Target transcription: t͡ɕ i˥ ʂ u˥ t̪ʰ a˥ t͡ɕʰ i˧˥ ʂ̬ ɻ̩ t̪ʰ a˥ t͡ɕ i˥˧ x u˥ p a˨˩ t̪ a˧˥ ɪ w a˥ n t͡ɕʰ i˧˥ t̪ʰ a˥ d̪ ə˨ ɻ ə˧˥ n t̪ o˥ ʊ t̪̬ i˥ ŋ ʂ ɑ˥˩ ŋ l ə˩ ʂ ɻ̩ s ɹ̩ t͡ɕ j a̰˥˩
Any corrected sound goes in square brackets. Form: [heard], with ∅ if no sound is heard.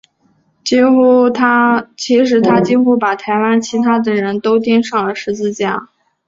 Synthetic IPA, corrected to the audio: t͡ɕ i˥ [x] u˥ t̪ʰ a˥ t͡ɕʰ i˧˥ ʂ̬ ɻ̩ t̪ʰ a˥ t͡ɕ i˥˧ x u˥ p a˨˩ [t̪ʰ] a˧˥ ɪ w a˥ n t͡ɕʰ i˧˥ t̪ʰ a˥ d̪ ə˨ ɻ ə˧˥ n t̪ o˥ ʊ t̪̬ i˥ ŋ ʂ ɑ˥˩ ŋ l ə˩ ʂ ɻ̩ [t͡s] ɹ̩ t͡ɕ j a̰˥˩